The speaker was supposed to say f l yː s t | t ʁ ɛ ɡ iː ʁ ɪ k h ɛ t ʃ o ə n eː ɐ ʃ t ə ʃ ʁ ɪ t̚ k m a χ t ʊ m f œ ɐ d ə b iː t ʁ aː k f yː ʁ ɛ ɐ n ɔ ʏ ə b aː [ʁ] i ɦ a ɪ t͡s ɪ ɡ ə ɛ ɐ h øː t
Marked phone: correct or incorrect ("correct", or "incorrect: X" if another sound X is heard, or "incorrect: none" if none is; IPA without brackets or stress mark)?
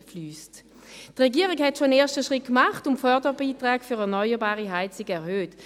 correct